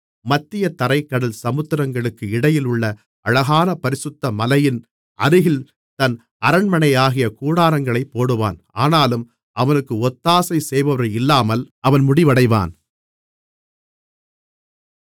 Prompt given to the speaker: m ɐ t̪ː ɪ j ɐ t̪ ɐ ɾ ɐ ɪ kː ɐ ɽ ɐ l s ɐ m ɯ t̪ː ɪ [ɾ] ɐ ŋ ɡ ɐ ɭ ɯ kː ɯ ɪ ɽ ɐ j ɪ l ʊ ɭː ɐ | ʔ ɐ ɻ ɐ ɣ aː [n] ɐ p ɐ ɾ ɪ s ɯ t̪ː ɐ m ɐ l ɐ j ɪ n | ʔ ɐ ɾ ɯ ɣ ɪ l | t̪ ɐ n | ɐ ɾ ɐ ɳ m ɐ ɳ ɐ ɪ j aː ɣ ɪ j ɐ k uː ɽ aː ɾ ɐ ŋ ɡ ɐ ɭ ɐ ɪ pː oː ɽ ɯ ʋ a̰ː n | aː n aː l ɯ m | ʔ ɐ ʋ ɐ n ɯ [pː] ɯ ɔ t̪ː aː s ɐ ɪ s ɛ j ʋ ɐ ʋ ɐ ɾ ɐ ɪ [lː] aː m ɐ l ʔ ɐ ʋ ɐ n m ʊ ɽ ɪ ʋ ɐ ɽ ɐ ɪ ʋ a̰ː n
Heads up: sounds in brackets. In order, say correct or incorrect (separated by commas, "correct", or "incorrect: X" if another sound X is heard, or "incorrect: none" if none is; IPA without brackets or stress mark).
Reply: correct, correct, incorrect: kː, correct